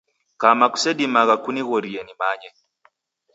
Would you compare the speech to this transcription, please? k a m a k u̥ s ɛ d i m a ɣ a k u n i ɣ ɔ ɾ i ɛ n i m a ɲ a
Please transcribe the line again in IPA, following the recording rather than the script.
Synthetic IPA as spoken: k a m a k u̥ s ɛ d i m a ɣ a k u n i ɣ ɔ ɾ i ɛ n i m a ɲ ɛ